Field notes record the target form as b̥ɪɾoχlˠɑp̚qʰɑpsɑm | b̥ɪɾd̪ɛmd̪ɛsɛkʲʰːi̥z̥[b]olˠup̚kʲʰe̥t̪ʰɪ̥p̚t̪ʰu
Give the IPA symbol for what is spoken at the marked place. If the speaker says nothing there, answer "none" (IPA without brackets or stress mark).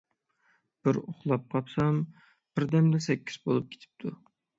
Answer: b